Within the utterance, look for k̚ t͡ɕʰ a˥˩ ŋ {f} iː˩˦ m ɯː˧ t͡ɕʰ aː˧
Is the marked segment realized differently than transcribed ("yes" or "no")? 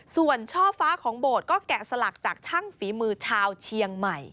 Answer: no